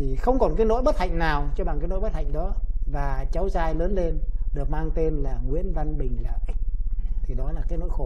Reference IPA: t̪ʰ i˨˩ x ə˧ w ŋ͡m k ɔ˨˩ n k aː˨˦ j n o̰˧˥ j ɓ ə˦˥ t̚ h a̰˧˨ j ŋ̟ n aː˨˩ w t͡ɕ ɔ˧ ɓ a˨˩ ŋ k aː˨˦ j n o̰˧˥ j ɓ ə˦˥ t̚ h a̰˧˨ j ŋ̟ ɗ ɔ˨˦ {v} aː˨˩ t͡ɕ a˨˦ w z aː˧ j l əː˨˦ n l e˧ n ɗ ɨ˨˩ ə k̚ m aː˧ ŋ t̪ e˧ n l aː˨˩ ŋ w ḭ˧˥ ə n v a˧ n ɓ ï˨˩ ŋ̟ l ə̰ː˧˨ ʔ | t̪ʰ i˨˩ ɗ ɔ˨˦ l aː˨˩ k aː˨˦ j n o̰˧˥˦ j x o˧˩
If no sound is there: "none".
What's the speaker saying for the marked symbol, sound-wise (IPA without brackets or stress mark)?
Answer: v